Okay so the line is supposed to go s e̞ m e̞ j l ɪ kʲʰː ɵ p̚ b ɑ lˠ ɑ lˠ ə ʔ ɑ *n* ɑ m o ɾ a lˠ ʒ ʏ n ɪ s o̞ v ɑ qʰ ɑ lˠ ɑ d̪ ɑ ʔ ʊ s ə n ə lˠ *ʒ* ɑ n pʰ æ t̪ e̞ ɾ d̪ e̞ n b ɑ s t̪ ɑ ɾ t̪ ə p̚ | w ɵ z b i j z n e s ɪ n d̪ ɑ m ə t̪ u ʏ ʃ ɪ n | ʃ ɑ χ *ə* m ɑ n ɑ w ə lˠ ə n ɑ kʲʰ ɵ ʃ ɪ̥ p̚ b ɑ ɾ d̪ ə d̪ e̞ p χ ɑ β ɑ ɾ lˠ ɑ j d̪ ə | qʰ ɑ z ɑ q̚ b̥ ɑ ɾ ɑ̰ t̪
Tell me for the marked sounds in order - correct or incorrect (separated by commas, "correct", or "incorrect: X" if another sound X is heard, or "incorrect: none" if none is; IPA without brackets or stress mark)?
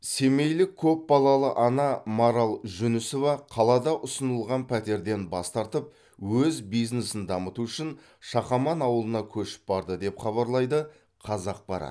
correct, incorrect: ʁ, incorrect: ɑ